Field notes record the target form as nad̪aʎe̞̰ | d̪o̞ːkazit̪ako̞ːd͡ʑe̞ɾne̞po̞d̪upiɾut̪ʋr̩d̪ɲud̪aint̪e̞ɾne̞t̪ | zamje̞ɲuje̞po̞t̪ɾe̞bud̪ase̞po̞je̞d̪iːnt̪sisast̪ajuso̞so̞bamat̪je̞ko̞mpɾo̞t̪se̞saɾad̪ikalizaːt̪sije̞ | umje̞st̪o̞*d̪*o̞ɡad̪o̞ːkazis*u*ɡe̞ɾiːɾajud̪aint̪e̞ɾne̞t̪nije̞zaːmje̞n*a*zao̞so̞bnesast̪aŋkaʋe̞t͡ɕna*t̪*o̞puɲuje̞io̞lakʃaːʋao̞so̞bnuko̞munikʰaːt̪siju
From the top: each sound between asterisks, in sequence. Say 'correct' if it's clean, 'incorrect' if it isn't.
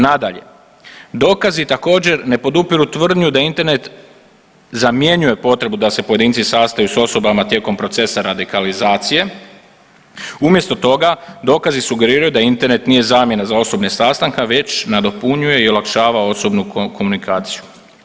incorrect, correct, correct, incorrect

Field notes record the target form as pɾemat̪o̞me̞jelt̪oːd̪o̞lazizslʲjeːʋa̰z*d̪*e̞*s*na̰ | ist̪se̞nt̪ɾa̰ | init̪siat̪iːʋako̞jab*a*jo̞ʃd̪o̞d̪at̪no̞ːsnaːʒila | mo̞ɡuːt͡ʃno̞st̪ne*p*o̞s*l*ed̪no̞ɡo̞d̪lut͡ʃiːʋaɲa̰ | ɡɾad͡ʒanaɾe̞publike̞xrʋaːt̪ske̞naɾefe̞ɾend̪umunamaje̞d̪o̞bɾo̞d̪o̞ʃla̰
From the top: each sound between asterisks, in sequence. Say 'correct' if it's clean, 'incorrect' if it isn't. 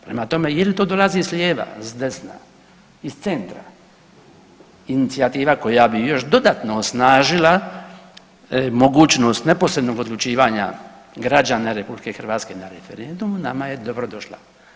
correct, correct, incorrect, correct, incorrect

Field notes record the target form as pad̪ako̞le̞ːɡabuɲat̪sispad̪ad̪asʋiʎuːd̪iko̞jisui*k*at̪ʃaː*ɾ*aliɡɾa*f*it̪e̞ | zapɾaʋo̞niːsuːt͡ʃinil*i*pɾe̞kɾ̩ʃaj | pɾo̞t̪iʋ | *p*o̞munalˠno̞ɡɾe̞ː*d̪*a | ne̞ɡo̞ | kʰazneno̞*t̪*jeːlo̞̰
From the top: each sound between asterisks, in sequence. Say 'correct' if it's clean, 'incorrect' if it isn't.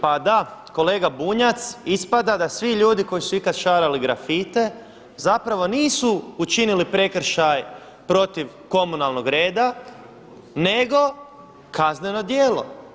correct, correct, correct, correct, incorrect, correct, incorrect

